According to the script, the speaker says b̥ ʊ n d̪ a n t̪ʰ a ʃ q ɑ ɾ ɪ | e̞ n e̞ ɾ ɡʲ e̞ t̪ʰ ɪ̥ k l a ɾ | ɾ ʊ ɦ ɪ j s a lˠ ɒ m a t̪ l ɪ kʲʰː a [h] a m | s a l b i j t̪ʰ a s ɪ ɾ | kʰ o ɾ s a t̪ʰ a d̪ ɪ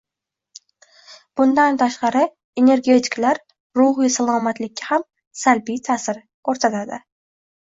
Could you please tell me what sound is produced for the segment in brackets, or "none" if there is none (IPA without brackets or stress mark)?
h